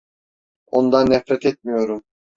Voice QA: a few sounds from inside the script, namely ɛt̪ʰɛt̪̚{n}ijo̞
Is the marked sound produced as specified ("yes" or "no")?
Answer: no